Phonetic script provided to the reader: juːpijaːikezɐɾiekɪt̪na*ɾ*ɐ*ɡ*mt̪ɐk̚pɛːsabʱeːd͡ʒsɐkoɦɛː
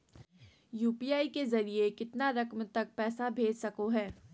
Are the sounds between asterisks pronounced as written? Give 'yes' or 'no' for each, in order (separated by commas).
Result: yes, no